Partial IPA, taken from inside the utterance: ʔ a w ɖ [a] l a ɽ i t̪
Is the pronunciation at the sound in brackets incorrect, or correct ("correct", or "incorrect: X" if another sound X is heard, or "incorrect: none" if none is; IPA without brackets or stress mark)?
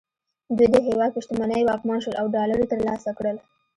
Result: incorrect: ɑ